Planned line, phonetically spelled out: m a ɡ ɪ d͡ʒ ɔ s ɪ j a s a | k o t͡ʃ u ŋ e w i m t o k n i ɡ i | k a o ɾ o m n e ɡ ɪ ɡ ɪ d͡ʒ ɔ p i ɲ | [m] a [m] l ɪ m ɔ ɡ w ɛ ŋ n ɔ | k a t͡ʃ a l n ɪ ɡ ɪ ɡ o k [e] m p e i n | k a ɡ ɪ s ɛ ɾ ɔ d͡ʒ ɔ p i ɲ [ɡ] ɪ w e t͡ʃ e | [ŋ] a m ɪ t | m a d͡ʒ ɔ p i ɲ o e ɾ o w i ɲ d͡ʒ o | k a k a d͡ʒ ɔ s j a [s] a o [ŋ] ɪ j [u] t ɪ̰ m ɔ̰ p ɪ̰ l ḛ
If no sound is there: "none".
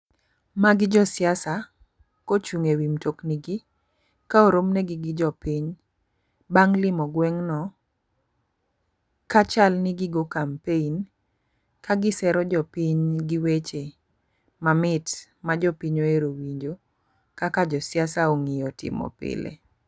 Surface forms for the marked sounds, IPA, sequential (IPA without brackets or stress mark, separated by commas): b, ŋ, a, ɡ, m, s, ŋ, ɔ